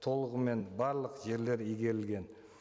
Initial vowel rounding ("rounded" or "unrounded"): rounded